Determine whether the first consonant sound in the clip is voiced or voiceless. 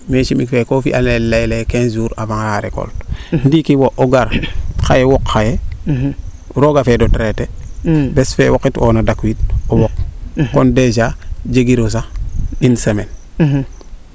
voiced